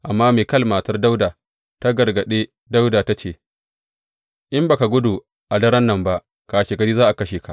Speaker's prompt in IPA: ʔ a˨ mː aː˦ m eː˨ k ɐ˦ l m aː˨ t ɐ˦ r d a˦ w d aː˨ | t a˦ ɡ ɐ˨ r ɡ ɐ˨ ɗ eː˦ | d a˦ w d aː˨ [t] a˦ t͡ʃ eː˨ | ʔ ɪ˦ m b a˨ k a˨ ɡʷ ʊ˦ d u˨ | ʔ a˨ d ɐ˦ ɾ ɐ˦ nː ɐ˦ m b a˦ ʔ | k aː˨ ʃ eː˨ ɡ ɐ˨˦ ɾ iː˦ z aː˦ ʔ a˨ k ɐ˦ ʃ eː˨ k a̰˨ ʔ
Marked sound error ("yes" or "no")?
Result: no